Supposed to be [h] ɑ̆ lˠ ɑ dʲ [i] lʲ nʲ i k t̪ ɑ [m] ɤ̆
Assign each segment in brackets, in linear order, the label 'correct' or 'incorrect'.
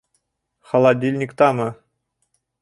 incorrect, correct, correct

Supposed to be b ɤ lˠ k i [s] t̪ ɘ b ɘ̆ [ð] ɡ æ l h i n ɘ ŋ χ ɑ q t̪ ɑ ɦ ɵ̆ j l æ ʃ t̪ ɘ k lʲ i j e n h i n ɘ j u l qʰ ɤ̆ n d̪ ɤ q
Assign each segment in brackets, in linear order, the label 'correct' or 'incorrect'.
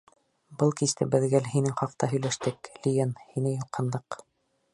correct, correct

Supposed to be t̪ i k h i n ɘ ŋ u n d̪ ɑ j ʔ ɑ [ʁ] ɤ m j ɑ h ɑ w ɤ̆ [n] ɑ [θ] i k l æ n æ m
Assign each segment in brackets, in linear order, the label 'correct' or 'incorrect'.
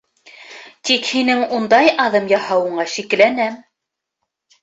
incorrect, incorrect, incorrect

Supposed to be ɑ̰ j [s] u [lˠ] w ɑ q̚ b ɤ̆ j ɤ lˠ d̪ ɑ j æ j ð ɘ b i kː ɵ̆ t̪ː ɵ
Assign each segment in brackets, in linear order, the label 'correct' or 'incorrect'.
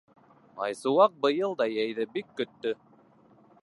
correct, incorrect

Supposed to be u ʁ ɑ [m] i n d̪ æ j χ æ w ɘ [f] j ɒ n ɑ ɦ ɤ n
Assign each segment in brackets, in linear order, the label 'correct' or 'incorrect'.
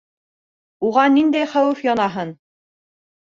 incorrect, correct

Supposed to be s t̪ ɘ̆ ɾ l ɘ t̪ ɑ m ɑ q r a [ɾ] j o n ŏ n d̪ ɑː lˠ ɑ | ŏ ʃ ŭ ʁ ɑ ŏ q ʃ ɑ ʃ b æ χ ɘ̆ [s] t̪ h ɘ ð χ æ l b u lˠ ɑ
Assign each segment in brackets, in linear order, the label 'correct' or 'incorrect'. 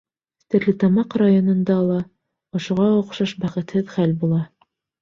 incorrect, incorrect

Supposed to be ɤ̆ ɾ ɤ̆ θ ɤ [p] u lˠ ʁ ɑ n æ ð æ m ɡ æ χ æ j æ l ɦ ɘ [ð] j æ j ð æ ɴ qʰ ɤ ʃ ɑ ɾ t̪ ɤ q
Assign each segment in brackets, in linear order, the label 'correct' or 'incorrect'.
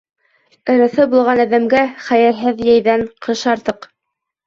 incorrect, correct

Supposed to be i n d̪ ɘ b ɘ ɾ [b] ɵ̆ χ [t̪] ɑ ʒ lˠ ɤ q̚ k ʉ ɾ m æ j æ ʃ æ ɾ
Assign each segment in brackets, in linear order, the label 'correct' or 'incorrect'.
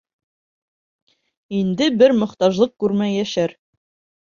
incorrect, correct

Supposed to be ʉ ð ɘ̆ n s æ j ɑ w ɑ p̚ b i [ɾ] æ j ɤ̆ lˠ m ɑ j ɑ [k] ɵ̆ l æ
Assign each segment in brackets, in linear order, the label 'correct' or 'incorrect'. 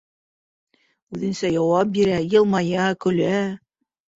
correct, correct

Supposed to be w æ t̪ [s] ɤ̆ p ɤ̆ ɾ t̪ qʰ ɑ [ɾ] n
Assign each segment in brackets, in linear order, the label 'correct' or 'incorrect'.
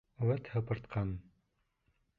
incorrect, incorrect

